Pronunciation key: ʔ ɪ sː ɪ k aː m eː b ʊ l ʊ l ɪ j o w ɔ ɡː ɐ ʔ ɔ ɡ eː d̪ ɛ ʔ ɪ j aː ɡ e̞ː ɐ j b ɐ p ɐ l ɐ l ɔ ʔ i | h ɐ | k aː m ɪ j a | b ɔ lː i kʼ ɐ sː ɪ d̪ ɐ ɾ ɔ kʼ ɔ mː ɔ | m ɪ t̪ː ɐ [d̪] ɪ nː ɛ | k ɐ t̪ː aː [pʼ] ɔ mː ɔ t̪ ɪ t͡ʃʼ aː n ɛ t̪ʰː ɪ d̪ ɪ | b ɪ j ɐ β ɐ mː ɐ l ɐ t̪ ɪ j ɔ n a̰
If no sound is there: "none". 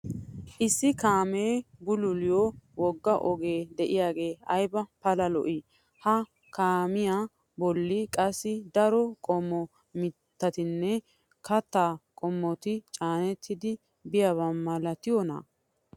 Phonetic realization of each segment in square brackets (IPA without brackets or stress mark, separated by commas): t̪, kʼ